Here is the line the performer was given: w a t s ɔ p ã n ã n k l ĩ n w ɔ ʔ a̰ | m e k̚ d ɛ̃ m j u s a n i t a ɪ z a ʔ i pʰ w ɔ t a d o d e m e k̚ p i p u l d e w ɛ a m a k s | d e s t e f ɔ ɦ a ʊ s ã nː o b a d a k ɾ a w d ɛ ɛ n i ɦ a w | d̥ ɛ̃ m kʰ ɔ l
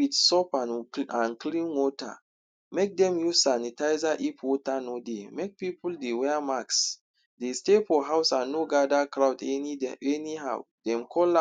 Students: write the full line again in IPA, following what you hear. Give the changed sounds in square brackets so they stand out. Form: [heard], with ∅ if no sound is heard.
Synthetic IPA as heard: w [i] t s ɔ p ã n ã n k l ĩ n w ɔ [t] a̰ | m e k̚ d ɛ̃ m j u s a n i t a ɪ z a ʔ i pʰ w ɔ t a [n] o d e m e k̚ p i p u l d e w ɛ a m a k s | d e s t e f ɔ ɦ a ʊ s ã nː o [ɡ] a d a k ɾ a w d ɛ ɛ n i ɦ a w | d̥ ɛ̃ m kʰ ɔ l